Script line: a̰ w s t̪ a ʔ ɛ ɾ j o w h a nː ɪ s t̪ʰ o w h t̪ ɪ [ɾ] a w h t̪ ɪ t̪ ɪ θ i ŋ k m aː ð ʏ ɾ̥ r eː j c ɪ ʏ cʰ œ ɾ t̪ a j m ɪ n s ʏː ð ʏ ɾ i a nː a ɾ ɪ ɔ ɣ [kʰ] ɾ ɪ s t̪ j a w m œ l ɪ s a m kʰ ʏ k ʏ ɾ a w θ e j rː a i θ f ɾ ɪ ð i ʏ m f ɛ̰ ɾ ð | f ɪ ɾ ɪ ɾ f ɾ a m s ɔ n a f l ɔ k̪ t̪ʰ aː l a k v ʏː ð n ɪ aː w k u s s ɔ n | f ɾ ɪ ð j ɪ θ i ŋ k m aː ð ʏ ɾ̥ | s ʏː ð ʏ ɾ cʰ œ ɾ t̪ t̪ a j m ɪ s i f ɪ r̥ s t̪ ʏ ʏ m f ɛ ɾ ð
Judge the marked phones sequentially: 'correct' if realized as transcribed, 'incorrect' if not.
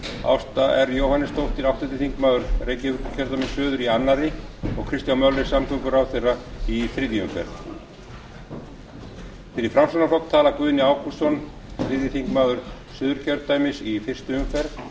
correct, correct

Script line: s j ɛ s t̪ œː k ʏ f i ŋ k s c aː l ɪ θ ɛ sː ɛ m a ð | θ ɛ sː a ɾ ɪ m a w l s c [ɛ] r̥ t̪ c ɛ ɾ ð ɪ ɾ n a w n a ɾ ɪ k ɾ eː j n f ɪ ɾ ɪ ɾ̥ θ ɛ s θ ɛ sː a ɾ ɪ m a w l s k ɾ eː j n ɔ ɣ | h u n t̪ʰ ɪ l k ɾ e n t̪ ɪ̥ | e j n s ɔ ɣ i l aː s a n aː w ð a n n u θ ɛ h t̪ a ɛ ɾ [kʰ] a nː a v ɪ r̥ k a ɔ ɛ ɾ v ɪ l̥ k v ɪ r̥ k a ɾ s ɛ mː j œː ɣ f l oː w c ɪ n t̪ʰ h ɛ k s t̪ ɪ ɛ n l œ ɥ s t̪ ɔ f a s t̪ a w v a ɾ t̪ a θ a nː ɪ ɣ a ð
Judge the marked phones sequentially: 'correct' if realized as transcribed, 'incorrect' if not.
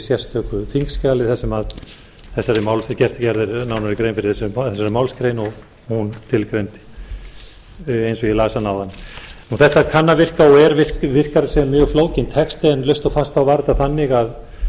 correct, correct

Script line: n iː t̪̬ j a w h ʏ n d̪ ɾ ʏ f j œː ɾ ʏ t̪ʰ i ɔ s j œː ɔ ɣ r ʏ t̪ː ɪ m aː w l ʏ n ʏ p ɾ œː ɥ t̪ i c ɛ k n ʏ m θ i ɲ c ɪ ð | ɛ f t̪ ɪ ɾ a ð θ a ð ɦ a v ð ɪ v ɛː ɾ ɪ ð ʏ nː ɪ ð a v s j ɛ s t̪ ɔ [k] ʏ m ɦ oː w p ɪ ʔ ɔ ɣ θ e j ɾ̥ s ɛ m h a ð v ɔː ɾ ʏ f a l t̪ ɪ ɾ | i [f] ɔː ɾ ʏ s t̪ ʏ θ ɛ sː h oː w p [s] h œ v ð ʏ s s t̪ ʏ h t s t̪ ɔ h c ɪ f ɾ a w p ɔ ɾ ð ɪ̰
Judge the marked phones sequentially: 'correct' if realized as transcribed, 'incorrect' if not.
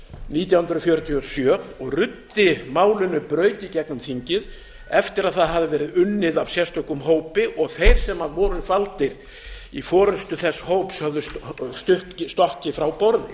correct, correct, correct

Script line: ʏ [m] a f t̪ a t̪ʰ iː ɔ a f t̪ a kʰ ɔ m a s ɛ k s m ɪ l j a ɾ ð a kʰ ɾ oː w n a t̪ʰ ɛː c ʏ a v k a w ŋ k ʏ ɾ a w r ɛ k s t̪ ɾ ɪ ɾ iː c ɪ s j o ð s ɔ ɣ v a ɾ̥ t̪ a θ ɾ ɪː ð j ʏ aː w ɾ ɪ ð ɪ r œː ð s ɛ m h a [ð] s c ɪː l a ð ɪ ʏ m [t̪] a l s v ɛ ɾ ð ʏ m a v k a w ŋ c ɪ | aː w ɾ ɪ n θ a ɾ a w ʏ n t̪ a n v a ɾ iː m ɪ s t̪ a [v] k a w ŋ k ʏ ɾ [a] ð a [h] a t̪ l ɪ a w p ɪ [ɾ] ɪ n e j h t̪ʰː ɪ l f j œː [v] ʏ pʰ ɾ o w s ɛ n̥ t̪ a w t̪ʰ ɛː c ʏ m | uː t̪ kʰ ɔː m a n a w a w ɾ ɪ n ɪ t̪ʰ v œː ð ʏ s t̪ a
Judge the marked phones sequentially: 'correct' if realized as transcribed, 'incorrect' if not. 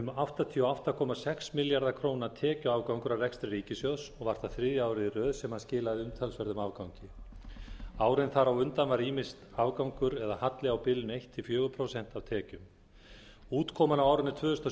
correct, correct, incorrect, correct, incorrect, correct, incorrect, incorrect

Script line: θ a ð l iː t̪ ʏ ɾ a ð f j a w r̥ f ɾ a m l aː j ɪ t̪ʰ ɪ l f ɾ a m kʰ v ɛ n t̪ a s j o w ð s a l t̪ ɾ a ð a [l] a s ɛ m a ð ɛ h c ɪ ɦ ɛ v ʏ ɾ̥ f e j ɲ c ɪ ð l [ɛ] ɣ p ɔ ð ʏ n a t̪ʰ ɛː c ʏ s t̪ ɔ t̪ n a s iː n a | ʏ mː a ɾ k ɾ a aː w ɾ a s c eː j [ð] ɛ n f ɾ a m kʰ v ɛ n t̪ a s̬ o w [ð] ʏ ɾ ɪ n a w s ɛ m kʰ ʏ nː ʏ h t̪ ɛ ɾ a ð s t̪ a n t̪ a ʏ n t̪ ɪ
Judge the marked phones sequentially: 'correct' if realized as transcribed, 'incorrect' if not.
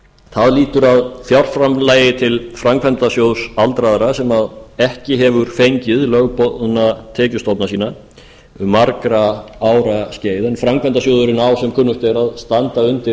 incorrect, incorrect, correct, correct

